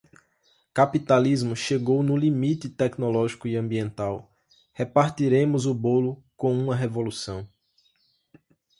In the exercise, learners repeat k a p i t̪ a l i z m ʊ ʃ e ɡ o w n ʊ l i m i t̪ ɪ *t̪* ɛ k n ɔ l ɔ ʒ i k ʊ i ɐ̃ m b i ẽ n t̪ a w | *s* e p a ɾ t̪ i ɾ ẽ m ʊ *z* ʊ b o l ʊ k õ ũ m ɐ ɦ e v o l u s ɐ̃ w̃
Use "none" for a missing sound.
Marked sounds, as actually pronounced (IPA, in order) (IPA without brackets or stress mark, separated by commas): t̪, h, z